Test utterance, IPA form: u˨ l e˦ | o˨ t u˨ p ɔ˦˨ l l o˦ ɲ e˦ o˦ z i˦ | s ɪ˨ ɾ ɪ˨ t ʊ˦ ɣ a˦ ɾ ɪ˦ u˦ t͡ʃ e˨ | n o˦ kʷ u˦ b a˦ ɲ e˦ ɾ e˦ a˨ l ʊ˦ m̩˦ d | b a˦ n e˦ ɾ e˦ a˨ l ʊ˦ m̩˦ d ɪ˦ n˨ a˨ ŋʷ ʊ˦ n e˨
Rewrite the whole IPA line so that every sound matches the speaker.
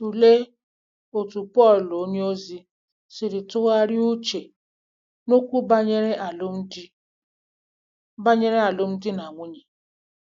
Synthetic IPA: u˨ l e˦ | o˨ t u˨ p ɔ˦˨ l l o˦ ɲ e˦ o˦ z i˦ | s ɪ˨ ɾ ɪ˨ t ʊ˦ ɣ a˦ ɾ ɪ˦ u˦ t͡ʃ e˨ | n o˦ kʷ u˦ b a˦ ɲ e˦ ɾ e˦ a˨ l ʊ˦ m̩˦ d | b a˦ ɲ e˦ ɾ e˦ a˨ l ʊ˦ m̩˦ d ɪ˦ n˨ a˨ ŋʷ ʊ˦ ɲ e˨